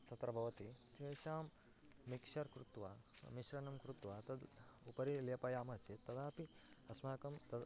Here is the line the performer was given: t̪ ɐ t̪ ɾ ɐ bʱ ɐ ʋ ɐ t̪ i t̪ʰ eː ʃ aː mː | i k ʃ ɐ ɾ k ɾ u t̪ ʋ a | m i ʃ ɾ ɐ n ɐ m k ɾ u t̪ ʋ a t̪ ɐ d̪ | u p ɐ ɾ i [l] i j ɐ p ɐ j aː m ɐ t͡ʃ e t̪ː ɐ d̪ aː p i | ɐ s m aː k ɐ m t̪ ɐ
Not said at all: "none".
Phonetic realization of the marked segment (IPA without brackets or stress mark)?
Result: l